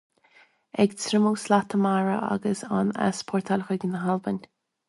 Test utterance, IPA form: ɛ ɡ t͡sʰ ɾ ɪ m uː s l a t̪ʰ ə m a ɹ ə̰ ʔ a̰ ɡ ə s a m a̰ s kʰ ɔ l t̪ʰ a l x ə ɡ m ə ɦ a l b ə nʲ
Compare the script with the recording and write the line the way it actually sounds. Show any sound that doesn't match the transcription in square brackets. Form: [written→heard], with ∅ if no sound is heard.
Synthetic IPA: ɛ ɡ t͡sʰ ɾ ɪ m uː s l a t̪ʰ ə m a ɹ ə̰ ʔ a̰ ɡ ə s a [m→n] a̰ s [kʰ→pʰ] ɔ [l→ɹ] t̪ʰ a l x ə ɡ [m→n] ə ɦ a l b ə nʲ